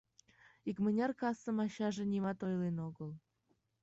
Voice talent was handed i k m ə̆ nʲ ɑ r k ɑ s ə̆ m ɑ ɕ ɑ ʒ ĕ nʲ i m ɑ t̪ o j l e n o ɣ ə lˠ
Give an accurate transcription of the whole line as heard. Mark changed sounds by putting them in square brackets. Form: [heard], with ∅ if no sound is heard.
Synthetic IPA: i k m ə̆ nʲ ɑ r k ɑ s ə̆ m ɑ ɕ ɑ ʒ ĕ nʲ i m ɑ t̪ o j l e n o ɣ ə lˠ